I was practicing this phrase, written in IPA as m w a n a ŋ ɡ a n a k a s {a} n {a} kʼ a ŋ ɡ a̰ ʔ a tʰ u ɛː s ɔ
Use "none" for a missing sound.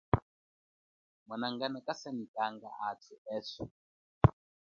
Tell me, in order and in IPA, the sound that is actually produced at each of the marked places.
a, i

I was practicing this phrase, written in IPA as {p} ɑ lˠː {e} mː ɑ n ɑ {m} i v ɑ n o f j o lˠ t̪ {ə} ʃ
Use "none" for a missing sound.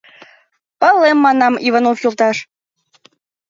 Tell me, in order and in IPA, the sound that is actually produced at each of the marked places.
p, e, m, ɑ

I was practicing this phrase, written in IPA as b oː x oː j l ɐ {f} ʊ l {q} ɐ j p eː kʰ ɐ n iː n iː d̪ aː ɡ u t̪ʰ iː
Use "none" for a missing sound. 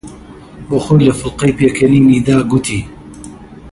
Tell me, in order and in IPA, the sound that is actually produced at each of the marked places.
f, q

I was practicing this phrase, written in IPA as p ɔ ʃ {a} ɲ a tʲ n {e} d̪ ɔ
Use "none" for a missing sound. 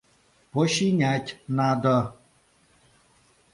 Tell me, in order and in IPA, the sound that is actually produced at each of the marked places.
i, a

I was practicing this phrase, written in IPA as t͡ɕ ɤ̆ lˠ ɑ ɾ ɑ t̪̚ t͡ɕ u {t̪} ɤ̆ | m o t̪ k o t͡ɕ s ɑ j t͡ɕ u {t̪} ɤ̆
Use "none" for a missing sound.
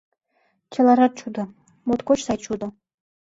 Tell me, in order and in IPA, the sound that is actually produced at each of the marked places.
d̪, d̪

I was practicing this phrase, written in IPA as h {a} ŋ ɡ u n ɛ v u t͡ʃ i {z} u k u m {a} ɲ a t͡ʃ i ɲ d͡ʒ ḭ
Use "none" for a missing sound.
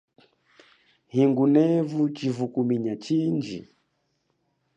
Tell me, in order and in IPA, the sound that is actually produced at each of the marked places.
i, v, i

